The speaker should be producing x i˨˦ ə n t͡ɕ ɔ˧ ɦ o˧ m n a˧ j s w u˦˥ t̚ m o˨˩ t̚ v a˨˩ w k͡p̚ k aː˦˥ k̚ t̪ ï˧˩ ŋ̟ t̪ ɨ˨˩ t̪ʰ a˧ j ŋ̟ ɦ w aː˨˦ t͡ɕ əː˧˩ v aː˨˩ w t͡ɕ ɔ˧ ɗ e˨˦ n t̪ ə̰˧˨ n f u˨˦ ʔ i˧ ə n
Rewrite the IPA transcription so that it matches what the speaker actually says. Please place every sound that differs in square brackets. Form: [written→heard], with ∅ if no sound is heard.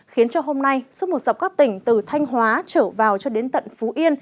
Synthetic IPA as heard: x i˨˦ ə n t͡ɕ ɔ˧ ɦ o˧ m n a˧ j s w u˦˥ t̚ m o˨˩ t̚ [v→z] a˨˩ w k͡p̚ k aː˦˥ k̚ t̪ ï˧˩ ŋ̟ t̪ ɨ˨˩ t̪ʰ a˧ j ŋ̟ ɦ w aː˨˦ t͡ɕ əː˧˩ v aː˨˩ w t͡ɕ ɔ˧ ɗ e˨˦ n t̪ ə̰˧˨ n f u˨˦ ʔ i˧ ə n